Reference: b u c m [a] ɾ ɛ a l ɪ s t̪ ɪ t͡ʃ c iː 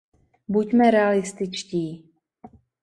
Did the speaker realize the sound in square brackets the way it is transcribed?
no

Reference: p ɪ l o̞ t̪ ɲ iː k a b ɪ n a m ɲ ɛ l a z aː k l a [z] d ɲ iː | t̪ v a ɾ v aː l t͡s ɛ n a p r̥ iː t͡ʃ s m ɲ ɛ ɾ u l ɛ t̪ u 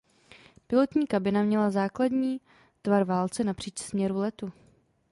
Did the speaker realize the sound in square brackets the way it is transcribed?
no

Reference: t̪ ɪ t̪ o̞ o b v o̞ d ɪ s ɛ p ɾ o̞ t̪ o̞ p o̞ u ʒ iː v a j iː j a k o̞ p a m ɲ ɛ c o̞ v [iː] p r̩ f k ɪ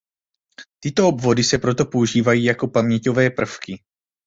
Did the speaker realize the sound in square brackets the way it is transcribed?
no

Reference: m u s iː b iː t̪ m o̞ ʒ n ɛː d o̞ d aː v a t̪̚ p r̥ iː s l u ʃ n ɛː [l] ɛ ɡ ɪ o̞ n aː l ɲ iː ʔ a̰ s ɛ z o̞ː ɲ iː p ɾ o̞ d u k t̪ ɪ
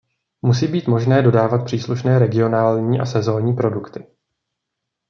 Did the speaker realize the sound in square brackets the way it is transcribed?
no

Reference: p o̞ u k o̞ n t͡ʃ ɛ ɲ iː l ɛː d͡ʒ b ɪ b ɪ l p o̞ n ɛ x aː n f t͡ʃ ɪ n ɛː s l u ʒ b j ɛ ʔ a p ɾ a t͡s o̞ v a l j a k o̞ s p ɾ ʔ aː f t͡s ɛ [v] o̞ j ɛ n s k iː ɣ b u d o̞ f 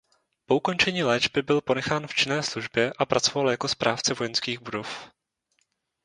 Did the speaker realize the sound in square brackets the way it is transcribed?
yes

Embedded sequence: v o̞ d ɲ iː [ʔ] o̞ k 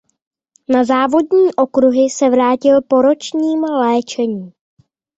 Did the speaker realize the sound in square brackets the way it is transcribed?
yes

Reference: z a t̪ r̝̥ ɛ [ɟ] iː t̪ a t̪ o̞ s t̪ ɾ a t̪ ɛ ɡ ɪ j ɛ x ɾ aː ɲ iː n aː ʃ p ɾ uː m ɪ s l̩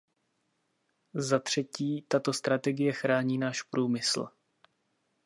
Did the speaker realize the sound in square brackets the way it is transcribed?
no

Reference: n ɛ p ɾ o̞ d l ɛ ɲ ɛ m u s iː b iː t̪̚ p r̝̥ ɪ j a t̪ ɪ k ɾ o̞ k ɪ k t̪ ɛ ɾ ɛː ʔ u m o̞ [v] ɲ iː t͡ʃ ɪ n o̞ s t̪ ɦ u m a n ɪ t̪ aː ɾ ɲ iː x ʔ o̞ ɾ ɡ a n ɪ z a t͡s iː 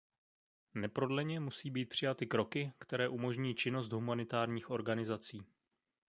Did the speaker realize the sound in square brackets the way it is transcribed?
no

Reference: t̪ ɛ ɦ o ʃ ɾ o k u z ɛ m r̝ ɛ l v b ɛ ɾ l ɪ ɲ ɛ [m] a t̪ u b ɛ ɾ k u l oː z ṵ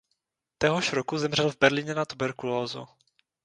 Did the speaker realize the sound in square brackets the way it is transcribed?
no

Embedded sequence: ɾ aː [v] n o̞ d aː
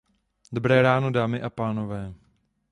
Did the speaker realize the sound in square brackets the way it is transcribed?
no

